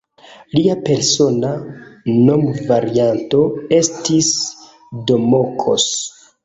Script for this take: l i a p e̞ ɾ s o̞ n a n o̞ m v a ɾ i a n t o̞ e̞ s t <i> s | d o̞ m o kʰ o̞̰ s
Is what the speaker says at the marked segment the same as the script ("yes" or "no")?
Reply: yes